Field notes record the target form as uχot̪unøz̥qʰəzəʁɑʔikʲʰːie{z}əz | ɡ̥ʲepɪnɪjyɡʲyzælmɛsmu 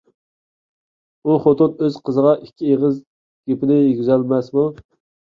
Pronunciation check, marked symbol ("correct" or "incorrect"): incorrect